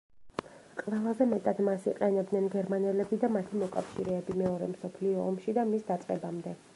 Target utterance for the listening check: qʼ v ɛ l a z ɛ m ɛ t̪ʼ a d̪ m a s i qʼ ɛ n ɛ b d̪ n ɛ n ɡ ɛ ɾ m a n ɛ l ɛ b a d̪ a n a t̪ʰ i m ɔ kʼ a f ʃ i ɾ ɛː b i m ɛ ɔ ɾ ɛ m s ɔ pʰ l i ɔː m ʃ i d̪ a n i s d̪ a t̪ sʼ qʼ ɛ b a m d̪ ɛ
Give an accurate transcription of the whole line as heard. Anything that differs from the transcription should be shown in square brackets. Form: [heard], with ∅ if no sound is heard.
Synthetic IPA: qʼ v ɛ l a z ɛ m ɛ t̪ʼ a d̪ m a s i qʼ ɛ n ɛ b d̪ n ɛ n ɡ ɛ ɾ m a n ɛ l ɛ b [i] d̪ a [m] a t̪ʰ i m ɔ kʼ a f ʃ i ɾ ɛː b i m ɛ ɔ ɾ ɛ m s ɔ pʰ l i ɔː m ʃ i d̪ a [m] i s d̪ a t̪ sʼ qʼ ɛ b a m d̪ ɛ